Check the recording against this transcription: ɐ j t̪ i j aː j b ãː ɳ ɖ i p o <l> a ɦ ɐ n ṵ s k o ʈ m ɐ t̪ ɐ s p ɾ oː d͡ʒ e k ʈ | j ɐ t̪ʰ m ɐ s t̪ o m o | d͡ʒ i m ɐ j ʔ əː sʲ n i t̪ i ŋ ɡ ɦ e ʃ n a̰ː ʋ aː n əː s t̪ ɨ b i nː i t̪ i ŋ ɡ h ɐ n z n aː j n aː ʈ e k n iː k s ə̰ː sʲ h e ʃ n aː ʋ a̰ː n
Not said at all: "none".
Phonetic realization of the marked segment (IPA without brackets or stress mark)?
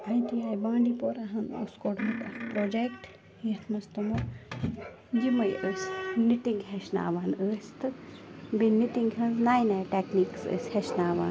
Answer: ɾ